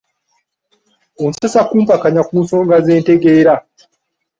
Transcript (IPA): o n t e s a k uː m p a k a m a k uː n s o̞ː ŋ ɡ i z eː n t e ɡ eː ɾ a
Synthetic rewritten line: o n s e s a k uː m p a k a ɲ a k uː n s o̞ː ŋ ɡ a z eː n t e ɡ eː ɾ a